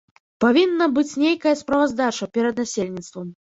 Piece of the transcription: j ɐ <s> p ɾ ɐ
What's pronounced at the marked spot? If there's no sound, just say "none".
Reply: s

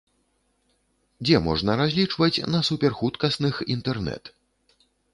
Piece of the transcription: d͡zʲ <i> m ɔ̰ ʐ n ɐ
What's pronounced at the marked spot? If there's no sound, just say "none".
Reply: ɛ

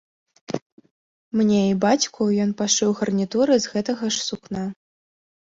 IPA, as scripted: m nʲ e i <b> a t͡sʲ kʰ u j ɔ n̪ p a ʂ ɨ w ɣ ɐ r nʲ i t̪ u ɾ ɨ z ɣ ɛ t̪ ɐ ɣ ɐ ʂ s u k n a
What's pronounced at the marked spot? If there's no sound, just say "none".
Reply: b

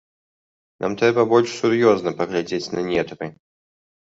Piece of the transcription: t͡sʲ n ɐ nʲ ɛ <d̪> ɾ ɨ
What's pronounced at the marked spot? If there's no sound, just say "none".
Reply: t̪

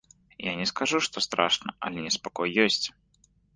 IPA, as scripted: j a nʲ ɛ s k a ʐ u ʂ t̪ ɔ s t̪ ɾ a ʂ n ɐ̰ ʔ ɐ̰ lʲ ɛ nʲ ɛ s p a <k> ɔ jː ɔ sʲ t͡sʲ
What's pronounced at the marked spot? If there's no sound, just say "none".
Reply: k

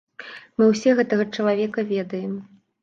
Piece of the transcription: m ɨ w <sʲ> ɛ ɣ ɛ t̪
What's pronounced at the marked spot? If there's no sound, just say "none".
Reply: sʲ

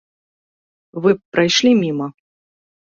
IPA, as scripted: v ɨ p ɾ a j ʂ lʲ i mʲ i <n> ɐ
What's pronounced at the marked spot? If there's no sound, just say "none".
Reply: m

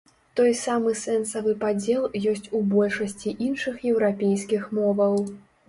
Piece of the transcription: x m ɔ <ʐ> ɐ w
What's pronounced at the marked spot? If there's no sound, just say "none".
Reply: v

